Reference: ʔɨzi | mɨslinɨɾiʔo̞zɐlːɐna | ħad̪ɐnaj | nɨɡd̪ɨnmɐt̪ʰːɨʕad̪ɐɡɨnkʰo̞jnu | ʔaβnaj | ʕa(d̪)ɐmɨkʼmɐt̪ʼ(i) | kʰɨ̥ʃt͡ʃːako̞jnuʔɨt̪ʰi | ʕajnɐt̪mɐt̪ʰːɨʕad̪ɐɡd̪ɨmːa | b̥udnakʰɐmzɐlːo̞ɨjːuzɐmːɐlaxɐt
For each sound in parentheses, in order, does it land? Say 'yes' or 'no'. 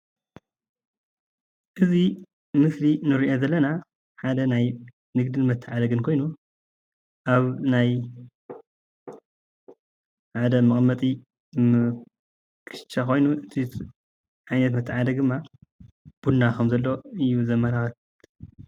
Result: yes, yes

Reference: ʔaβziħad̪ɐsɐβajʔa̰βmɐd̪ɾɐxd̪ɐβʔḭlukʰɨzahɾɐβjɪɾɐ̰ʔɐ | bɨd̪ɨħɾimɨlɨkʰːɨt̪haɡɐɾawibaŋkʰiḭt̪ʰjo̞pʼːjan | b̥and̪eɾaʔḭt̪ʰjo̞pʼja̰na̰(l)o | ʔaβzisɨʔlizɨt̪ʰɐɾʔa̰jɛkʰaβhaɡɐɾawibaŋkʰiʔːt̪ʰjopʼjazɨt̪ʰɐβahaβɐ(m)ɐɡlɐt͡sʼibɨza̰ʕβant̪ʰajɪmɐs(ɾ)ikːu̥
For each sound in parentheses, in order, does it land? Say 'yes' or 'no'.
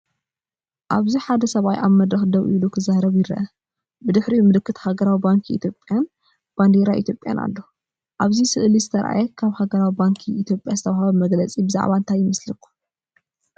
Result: no, yes, no

